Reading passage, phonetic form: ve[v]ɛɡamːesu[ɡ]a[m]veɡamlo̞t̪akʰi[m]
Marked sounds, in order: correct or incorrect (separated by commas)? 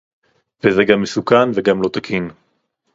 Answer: incorrect, incorrect, incorrect, incorrect